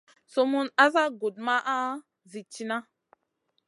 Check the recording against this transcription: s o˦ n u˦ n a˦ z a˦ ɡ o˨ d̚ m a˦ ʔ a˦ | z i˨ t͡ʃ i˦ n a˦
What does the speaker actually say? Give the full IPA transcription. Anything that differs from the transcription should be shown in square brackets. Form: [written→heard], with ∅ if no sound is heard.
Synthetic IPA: s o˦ [n→m] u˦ n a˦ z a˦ ɡ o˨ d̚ m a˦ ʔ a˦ | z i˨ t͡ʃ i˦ n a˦